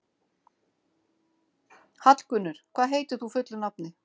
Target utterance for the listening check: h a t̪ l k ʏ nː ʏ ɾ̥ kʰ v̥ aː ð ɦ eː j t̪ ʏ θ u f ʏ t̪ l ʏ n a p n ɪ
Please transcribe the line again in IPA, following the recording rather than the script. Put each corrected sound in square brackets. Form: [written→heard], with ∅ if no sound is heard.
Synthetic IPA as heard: h a t̪ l k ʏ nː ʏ ɾ̥ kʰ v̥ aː ð ɦ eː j t̪ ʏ θ u f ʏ t̪ l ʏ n a p n ɪ

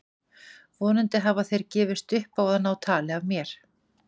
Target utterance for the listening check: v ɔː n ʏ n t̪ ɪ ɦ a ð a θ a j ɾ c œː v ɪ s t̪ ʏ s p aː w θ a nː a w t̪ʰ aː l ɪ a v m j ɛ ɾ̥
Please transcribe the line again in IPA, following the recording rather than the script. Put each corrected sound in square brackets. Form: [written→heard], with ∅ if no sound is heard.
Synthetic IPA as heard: v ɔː n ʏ n t̪ ɪ ɦ a [ð→v] a θ [a→e] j ɾ c [œː→ɛː] v ɪ s t̪ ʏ [s→h] p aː w [θ→ð] a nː a w t̪ʰ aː l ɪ a v m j ɛ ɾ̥

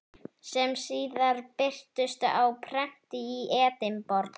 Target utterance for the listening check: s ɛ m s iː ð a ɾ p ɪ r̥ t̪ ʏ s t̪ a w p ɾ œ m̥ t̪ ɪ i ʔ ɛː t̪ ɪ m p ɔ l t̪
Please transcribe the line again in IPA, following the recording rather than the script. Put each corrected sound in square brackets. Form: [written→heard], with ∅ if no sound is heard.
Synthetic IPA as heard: s ɛ m s iː ð a ɾ p ɪ r̥ t̪ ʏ s t̪ a w [p→pʰ] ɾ [œ→ɛ] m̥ t̪ ɪ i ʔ ɛː t̪ ɪ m p ɔ [l→ɾ] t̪

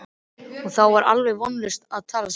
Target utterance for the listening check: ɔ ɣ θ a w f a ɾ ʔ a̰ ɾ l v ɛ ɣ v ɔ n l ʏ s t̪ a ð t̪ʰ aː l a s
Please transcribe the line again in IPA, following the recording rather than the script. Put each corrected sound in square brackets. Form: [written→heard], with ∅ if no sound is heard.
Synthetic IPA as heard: ɔ ɣ θ a w [f→v] a ɾ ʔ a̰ [ɾ→∅] l v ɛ ɣ v ɔ n l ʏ s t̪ a ð t̪ʰ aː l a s

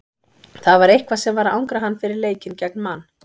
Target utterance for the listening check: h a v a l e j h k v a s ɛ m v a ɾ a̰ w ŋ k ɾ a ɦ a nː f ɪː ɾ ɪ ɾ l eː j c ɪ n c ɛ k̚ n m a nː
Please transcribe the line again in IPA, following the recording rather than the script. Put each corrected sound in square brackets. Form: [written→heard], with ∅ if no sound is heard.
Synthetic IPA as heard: [h→θ] a v a [l→ɾ] e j h k v a s ɛ m v a ɾ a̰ w ŋ k ɾ a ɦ a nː f [ɪː→ɪ] ɾ ɪ ɾ l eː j c ɪ n c ɛ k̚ n m a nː

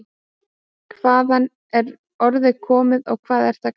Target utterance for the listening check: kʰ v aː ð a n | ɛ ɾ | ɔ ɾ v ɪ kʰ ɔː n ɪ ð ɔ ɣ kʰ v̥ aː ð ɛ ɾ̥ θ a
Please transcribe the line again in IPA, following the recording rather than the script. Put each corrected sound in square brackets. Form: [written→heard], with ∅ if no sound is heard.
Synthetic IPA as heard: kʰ v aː ð a n | ɛ ɾ | ɔ ɾ [v→ð] ɪ kʰ ɔː [n→m] ɪ ð ɔ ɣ kʰ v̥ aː ð ɛ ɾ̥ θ a

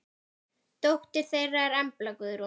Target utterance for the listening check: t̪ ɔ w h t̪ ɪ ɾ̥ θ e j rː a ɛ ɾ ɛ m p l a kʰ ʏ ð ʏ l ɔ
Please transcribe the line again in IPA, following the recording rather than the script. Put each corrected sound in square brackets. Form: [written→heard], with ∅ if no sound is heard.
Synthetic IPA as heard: t̪ [ɔ→o] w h t̪ ɪ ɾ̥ θ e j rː a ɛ ɾ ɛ m p l a [kʰ→k] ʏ ð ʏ [l→ɾ] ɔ

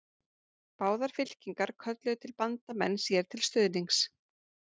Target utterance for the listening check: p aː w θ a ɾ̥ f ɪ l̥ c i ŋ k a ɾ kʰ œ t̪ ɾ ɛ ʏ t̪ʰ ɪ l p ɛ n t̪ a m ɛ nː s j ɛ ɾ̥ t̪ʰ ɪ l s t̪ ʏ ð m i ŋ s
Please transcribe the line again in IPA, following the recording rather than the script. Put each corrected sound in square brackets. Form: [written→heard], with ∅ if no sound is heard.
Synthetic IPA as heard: p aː w [θ→ð] a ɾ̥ f ɪ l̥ c i ŋ k a ɾ kʰ œ t̪ [ɾ→l] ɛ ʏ t̪ʰ ɪ l p [ɛ→a] n t̪ a m ɛ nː s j ɛ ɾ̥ t̪ʰ ɪ l s t̪ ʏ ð [m→n] i ŋ s

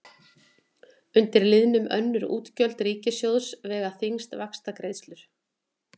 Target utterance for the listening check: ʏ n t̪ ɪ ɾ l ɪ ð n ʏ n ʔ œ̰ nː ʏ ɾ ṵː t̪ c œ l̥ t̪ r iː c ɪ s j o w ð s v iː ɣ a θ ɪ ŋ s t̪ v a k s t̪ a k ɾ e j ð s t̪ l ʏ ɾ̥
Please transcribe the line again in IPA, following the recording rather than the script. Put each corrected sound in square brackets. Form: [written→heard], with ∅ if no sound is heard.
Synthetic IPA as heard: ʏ n t̪ ɪ ɾ l ɪ ð n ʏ [n→m] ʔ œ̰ nː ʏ ɾ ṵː t̪ c œ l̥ t̪ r iː c ɪ s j o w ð s v [iː→ɛː] ɣ a θ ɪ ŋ s t̪ v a k s t̪ a k ɾ e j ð s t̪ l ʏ ɾ̥

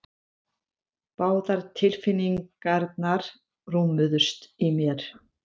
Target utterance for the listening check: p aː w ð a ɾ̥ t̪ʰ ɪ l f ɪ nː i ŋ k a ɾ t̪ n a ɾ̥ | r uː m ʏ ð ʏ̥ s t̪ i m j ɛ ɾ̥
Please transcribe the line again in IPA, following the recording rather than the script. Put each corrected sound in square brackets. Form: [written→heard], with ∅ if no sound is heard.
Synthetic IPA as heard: p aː w ð a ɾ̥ t̪ʰ ɪ l f ɪ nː i ŋ k a ɾ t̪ n a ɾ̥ | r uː m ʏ ð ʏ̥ s t̪ i m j ɛ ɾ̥

